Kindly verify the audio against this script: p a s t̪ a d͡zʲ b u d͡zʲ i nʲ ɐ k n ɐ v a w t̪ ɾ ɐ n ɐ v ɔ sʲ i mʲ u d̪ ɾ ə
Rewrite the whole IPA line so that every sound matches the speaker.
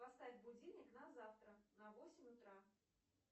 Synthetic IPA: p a s t̪ a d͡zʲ b u d͡zʲ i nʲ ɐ k n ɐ z a w t̪ ɾ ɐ n ɐ v ɔ sʲ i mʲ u t̪ ɾ a